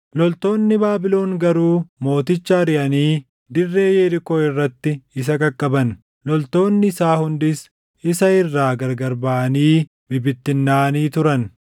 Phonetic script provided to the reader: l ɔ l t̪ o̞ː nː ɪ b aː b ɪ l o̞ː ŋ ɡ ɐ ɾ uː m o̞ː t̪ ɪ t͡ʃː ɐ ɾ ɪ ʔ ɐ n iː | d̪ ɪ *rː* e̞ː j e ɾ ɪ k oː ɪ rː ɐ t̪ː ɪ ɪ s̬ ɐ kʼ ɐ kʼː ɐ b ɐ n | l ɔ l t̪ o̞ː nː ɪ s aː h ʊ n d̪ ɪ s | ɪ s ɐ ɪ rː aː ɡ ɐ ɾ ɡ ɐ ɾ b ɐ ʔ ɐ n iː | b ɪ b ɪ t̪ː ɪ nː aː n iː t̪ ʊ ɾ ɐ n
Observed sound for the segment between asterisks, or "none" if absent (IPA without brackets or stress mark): rː